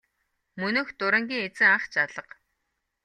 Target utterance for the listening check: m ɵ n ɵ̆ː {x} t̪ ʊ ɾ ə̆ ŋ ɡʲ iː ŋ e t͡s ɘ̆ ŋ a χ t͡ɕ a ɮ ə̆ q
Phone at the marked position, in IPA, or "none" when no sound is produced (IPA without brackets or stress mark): x